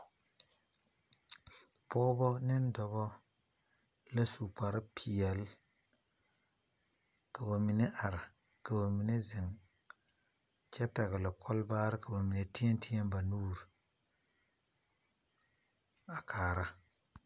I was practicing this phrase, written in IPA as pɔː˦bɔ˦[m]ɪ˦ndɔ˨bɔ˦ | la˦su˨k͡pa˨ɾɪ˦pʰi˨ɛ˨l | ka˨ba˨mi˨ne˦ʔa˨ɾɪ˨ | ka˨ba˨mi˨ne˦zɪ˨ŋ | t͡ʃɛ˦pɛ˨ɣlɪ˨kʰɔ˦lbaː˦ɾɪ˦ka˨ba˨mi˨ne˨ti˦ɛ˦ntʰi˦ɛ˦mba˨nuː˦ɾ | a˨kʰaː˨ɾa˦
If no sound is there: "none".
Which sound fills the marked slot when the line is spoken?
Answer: n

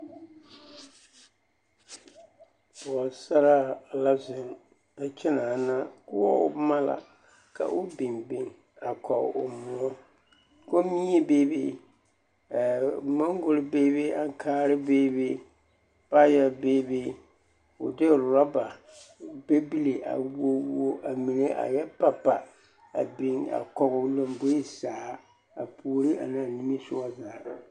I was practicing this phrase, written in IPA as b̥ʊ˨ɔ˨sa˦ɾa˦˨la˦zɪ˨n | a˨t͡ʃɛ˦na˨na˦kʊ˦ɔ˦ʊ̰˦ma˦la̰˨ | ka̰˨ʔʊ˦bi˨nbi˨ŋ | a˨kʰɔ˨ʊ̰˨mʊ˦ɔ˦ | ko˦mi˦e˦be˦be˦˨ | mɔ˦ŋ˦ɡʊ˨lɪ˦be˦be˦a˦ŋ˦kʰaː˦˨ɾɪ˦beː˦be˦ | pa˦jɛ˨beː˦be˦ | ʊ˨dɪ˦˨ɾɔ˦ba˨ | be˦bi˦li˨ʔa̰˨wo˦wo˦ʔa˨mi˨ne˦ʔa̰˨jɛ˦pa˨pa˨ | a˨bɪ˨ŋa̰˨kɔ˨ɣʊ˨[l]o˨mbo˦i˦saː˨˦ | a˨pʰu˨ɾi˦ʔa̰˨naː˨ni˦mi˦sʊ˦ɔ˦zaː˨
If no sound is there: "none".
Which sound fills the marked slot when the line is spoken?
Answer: l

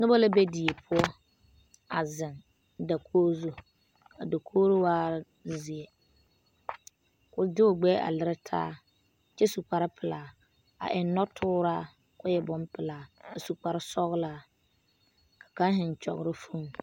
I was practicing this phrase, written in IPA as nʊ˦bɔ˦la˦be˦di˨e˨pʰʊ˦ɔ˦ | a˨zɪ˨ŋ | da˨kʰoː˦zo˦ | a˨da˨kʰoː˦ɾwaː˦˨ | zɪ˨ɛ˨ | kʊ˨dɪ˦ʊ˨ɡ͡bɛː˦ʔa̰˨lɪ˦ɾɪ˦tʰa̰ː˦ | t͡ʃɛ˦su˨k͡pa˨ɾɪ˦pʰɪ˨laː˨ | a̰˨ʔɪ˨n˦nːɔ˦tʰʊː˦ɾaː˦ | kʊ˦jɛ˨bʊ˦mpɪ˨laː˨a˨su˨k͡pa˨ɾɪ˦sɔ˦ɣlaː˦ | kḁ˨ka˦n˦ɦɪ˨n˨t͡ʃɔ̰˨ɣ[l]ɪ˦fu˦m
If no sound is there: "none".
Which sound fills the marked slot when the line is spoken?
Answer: ɾ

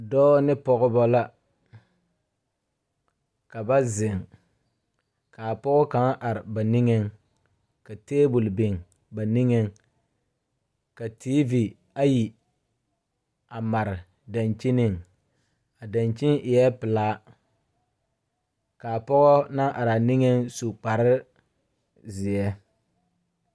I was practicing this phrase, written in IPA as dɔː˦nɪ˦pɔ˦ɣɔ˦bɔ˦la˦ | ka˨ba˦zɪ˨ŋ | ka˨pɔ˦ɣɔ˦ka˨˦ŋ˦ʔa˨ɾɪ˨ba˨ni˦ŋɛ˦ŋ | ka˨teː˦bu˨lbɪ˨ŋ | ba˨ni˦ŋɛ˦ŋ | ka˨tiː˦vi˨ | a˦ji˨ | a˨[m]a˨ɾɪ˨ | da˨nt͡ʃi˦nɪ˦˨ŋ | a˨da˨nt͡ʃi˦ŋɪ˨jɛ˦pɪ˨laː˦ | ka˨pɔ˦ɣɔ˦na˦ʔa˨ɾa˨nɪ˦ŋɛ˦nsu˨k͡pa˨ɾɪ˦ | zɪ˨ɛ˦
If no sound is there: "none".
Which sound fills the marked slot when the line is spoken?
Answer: m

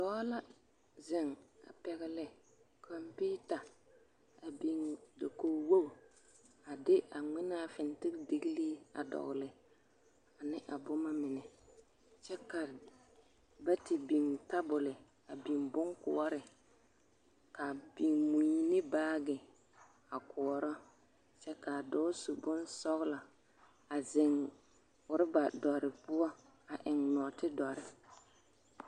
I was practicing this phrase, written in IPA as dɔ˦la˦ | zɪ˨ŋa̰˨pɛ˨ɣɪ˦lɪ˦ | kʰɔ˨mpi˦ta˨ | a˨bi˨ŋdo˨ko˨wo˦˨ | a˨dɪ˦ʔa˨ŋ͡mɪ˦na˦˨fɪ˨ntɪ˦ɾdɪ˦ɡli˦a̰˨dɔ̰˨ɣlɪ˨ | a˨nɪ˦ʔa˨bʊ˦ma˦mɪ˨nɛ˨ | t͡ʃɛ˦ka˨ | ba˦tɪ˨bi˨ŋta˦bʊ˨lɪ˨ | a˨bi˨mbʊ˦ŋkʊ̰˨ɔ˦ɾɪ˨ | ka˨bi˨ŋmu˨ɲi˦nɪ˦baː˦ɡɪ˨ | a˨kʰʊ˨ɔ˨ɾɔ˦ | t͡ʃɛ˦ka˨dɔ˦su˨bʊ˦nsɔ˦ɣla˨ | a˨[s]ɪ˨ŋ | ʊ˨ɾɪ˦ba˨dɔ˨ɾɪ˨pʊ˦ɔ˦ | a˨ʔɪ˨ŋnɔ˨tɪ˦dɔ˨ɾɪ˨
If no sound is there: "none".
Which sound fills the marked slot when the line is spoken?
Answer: z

